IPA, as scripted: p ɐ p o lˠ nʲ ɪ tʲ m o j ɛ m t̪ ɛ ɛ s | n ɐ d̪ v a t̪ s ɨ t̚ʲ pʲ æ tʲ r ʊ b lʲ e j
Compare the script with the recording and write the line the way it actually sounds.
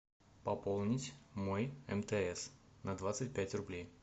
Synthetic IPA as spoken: p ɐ p o lˠ nʲ ɪ tʲ m o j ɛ m t̪ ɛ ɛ s | n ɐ d̪ v a t̪ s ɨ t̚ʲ pʲ æ tʲ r ʊ b lʲ e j